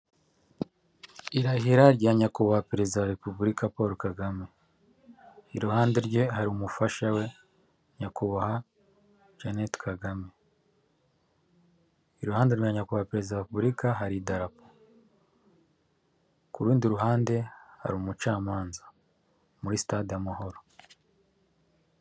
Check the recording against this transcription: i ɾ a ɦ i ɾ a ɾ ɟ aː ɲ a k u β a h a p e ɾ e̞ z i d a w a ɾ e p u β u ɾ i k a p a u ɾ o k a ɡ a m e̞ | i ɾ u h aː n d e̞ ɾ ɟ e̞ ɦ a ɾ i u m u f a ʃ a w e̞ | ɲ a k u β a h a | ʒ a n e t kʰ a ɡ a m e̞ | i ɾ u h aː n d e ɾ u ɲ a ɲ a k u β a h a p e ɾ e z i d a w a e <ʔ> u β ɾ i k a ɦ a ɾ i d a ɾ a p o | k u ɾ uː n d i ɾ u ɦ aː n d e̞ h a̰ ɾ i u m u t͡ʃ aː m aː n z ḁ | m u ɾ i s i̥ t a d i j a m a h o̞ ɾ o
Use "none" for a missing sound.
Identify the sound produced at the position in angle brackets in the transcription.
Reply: p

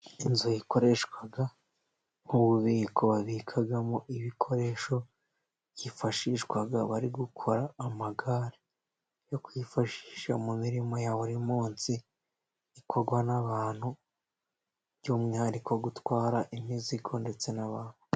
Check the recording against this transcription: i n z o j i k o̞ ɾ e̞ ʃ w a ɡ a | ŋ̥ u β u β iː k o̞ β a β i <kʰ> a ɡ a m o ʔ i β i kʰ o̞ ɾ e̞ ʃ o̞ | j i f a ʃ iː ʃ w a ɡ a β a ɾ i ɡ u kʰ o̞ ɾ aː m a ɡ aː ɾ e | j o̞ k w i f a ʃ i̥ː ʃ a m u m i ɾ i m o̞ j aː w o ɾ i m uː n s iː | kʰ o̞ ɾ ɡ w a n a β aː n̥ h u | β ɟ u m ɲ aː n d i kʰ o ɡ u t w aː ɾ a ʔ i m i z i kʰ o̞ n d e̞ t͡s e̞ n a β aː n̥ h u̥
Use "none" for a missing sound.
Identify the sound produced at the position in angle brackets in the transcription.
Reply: kʰ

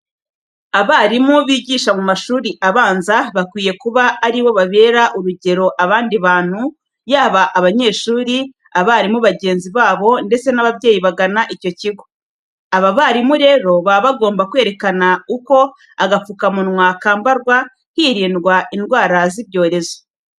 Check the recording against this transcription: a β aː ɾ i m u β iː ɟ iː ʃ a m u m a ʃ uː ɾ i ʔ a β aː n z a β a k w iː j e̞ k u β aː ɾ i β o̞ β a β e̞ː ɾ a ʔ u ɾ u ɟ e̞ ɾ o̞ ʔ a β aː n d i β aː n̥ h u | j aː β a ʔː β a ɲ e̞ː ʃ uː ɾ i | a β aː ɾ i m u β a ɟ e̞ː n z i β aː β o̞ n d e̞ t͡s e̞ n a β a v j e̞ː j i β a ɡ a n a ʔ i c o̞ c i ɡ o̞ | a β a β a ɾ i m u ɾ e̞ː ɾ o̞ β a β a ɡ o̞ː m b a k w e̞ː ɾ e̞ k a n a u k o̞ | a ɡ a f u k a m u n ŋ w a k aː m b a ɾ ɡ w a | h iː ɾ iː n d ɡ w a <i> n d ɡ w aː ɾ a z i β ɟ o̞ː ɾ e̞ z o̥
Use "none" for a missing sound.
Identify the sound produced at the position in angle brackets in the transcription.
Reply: i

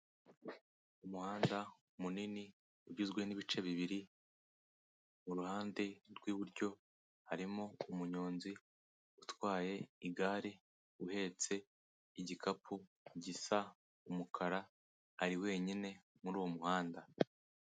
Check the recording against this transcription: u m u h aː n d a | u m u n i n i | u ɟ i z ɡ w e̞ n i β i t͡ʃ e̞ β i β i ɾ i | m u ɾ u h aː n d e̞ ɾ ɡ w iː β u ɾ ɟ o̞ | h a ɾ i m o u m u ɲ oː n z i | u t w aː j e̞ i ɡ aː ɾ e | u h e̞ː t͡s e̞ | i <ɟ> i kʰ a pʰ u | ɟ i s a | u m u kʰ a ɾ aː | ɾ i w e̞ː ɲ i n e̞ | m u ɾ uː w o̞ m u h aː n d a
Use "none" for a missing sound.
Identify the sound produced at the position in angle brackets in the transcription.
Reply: ɟ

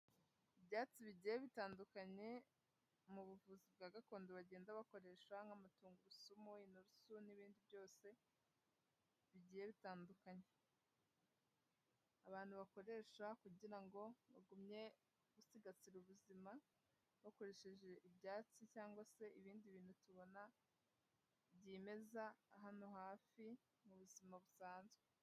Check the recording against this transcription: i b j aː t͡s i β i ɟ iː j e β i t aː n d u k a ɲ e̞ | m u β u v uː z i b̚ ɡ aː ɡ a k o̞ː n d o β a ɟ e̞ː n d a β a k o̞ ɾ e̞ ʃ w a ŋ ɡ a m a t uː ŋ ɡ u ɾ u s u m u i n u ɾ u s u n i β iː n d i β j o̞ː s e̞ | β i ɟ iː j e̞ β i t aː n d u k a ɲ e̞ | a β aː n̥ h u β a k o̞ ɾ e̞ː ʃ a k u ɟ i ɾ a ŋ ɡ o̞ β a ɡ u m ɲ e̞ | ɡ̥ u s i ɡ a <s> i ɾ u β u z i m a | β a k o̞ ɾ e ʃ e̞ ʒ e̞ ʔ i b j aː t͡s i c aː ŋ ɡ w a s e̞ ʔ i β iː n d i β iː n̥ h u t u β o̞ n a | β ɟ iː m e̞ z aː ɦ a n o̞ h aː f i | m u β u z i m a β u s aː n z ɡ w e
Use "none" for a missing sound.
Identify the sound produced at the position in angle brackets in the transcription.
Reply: t͡s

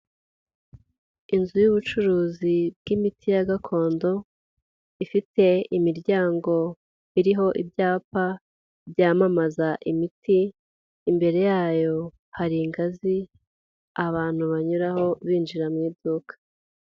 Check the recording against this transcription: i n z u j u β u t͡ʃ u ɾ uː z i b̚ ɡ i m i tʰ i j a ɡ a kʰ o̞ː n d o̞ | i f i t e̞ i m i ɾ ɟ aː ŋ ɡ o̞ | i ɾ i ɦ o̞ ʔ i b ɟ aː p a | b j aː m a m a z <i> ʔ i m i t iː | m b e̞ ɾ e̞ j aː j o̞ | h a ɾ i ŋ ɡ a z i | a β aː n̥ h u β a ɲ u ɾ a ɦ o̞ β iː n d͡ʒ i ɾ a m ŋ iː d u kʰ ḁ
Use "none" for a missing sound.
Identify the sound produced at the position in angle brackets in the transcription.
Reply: a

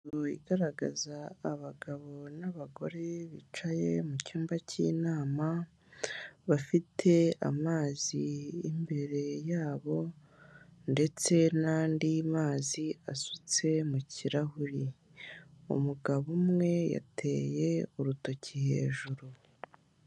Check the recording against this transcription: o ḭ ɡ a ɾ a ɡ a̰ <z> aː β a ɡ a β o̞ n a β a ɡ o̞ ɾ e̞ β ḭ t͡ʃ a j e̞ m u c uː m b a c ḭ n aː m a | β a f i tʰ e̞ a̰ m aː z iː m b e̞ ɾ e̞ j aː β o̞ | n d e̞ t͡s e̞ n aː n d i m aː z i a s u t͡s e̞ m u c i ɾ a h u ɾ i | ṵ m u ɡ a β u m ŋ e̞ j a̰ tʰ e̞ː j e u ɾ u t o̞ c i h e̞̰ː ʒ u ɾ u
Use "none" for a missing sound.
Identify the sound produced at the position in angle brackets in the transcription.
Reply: z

